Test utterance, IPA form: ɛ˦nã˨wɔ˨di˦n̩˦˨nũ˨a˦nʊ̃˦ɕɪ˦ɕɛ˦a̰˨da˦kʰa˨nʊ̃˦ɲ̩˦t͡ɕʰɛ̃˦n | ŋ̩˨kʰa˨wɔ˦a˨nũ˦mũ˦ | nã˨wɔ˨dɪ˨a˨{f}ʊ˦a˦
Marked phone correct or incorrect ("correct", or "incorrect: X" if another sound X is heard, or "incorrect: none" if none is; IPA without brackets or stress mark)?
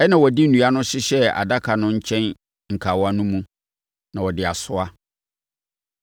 incorrect: s